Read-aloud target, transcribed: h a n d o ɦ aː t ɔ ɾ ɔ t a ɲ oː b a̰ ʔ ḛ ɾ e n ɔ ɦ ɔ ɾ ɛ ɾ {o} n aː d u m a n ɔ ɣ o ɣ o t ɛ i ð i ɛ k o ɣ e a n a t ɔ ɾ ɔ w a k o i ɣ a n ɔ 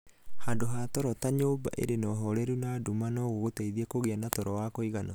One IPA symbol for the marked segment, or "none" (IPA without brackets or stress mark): u